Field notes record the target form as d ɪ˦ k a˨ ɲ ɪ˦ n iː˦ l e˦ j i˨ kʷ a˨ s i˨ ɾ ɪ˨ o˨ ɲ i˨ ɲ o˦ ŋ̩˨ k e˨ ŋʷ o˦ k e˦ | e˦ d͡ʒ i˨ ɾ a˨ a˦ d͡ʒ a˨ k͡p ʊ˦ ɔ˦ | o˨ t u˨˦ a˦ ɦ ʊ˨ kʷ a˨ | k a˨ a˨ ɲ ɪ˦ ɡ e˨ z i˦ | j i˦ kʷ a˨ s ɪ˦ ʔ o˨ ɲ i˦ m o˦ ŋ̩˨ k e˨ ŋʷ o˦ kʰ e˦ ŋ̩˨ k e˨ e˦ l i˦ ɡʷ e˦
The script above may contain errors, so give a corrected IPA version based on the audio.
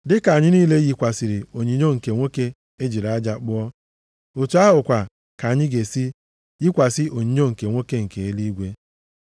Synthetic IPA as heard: d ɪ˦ k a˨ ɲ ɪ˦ n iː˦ l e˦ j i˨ kʷ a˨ s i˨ ɾ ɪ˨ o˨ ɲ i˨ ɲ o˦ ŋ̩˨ k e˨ ŋʷ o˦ k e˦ | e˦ d͡ʒ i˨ ɾ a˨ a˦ d͡ʒ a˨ k͡p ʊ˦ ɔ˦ | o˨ t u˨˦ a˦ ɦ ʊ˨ kʷ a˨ | k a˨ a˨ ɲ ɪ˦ ɡ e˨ s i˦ | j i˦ kʷ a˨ s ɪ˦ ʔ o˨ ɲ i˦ ɲ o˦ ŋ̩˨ k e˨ ŋʷ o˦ k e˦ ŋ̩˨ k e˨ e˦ l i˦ ɡʷ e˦

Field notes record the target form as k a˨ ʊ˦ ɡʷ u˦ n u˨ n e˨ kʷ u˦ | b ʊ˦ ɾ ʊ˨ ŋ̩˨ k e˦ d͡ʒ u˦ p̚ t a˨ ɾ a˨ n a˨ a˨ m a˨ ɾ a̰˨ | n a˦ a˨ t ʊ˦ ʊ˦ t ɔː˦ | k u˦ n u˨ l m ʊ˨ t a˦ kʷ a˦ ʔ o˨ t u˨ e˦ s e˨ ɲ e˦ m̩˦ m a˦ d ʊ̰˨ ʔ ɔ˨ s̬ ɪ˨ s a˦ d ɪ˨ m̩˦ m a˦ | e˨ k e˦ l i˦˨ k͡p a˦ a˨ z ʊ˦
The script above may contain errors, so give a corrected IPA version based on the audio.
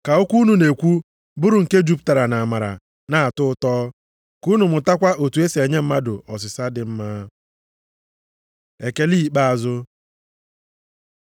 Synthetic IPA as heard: k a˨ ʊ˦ kʷ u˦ n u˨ n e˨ kʷ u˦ | b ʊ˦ ɾ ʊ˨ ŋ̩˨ k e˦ d͡ʒ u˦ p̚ t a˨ ɾ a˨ n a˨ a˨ m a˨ ɾ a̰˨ | n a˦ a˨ t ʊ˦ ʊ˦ t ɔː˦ | k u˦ n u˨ m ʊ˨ t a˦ kʷ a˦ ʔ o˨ t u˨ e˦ s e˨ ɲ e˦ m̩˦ m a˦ d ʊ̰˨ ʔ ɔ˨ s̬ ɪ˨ s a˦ d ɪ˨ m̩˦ m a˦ | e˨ k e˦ l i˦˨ k͡p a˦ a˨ z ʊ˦

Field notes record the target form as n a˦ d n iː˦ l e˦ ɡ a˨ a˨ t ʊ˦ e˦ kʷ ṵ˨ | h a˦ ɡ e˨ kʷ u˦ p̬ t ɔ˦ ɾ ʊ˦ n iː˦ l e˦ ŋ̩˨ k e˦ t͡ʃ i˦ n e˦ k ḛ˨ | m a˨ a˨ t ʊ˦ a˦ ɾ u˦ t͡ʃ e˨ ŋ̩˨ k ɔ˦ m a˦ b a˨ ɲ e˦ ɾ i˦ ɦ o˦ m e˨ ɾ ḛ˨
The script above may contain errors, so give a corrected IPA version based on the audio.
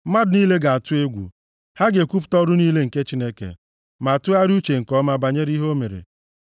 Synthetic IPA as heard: m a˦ d n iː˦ l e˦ ɡ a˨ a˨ t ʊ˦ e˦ ɡʷ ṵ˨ | h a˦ ɡ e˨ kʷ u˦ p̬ t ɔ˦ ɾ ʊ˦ n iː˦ l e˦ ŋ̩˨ k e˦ t͡ʃ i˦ n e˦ k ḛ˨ | m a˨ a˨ t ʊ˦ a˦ ɾ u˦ t͡ʃ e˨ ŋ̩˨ k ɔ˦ m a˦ b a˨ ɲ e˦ ɾ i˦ ɦ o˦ m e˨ ɾ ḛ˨

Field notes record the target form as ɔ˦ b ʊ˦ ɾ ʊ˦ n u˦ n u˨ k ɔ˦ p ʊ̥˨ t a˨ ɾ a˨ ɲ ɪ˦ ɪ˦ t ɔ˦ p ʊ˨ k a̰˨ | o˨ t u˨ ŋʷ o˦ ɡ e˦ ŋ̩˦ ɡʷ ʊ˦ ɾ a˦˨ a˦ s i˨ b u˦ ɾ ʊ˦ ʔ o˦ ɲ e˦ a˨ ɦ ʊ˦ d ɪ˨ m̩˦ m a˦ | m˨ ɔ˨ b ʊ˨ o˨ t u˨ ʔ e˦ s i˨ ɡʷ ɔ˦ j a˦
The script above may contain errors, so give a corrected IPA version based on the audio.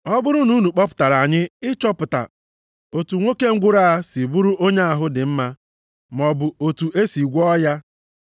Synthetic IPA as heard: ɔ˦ b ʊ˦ ɾ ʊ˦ n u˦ n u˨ k͡p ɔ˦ p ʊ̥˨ t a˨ ɾ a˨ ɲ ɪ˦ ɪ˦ t͡ʃ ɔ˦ p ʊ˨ t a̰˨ | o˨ t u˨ ŋʷ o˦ k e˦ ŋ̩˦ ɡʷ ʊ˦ ɾ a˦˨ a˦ s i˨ b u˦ ɾ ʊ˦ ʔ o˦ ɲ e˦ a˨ ɦ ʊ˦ d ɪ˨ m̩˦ m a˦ | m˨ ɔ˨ b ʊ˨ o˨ t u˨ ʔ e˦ s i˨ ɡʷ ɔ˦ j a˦

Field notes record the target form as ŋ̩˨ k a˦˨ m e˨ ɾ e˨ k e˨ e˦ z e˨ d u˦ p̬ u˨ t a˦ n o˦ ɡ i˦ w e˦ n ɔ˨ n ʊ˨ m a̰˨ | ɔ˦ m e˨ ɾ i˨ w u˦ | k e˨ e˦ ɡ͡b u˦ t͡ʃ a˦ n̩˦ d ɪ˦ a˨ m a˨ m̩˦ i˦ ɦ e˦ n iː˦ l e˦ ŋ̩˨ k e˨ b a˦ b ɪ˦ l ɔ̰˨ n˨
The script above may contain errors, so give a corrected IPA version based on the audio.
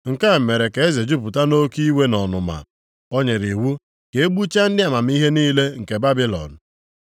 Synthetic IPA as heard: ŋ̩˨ k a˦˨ m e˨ ɾ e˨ k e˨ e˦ z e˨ d͡ʒ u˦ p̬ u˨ t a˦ n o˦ k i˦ w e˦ n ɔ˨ n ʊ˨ m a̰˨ | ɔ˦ ɲ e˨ ɾ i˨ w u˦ | k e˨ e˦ ɡ͡b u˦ t͡ʃ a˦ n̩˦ d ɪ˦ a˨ m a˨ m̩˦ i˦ ɦ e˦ n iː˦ l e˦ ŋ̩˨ k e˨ b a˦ b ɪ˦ l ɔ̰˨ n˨

